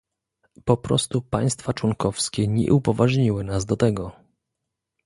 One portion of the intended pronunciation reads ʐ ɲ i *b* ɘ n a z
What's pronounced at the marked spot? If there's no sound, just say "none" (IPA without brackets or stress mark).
w